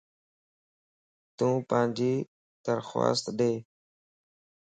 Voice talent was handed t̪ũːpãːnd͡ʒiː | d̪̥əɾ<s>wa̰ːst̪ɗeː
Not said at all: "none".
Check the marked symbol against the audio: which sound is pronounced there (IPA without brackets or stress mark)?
x